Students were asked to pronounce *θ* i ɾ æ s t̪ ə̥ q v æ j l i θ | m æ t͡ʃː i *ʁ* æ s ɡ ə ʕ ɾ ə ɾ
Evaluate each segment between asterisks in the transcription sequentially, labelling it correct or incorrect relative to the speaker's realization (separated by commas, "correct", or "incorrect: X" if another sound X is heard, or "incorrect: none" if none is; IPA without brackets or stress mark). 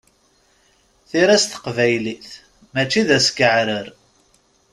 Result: correct, incorrect: ð